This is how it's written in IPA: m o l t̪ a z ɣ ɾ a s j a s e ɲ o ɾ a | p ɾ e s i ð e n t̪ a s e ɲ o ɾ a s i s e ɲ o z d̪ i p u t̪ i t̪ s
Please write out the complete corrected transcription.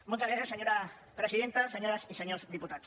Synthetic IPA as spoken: m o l t̪ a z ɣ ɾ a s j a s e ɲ o ɾ a | p ɾ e s i ð e n t̪ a s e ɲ o ɾ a s i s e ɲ o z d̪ i p u t̪ a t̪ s

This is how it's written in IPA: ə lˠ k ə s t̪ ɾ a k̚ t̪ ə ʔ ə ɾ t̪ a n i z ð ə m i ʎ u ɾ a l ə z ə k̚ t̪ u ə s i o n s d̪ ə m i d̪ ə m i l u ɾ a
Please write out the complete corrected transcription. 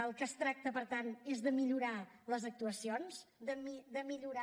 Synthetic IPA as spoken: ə lˠ k ə s t̪ ɾ a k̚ t̪ ə p ə ɾ t̪ a n e z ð ə m i ʎ u ɾ a l ə z ə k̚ t̪ u ə s i o n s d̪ ə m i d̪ ə m i ʎ u ɾ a

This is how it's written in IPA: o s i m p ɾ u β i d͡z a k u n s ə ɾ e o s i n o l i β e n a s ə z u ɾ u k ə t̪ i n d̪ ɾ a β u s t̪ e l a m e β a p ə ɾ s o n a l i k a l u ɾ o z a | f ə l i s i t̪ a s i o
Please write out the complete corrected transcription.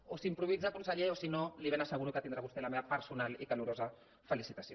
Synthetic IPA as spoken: o s i m p ɾ u β i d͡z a k u n s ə ʎ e o s i n o l i β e n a s ə ɣ u ɾ u k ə t̪ i n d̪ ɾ a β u s t̪ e l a m e β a p ə ɾ s u n a l i k a l u ɾ o z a | f ə l i s i t̪ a s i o

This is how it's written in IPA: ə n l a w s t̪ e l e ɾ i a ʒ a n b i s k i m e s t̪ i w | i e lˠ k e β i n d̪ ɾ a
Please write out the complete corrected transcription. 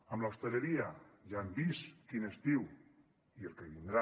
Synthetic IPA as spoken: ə m l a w s t̪ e l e ɾ i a ʒ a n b i s k i n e s t̪ i w | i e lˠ k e β i n d̪ ɾ a

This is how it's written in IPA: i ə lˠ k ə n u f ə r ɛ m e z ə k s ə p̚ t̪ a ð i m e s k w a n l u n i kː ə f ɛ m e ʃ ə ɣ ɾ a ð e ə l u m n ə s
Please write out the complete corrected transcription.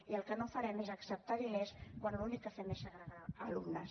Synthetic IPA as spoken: i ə lˠ k ə n o f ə ɾ ɛ m e z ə k s ə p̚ t̪ a ð i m e s k w a n l u n i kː ə f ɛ m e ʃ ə ɣ ɾ a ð a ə l u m n ə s

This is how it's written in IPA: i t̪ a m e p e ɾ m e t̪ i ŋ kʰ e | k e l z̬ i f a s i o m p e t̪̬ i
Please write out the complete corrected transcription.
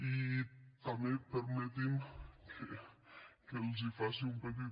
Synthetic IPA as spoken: i t̪ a m e p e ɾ m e t̪ i m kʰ e | k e l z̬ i f a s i u m p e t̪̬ i

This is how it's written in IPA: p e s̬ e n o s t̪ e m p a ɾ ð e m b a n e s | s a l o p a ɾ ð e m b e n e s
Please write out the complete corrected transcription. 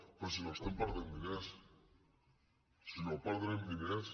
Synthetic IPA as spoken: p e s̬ i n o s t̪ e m p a ɾ ð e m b i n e s | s i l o p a ɾ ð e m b i n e s

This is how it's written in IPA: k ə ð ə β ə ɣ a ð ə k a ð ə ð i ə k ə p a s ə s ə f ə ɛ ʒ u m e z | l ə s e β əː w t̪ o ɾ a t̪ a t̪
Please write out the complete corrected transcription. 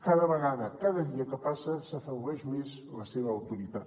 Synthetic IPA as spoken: k a ð ə β ə ɣ a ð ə k a ð ə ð i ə k ə p a s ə s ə f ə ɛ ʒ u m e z | l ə s e β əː w t̪ u ɾ i t̪ a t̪

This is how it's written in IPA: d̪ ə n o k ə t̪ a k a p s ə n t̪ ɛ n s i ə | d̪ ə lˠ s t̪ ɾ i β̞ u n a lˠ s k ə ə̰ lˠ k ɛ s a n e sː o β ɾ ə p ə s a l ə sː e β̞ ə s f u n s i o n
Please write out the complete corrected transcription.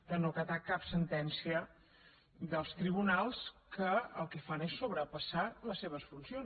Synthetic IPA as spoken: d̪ ə n o k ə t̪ a k a p s ə n t̪ ɛ n s i ə | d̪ ə lˠ s t̪ ɾ i β̞ u n a lˠ s k ə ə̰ lˠ k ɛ f a n e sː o β ɾ ə p ə s a l ə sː e β̞ ə s f u n s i o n

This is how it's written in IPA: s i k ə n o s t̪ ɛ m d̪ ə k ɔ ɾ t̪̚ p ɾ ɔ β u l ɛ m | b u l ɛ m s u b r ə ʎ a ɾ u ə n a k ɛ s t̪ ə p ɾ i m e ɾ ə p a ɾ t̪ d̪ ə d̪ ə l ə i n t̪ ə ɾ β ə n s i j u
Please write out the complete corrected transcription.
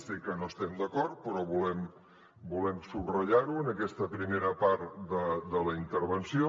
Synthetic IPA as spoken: s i k ə n o s t̪ ɛ m d̪ ə k ɔ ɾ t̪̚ p ɾ ɔ β u l ɛ m | b u l ɛ m s u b r ə ʎ a ɾ u ə n ə k ɛ s t̪ ə p ɾ i m e ɾ ə p a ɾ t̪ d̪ ə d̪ ə l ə i n t̪ ə ɾ β ə n s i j o

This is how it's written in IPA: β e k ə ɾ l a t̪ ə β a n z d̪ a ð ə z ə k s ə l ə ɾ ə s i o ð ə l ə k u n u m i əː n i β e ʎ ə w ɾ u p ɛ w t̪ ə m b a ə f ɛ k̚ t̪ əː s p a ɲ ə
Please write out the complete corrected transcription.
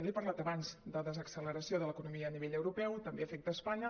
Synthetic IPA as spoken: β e p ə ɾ l a t̪ ə β a n z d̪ ə ð ə z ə k s ə l ə ɾ ə s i o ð ə l ə k u n u m i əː n i β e ʎ ə w ɾ u p ɛ w t̪ ə m b e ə f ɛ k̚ t̪ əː s p a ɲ ə

